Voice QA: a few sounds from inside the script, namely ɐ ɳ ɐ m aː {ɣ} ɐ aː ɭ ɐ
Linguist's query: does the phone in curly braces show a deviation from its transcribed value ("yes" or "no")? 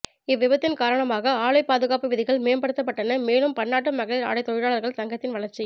no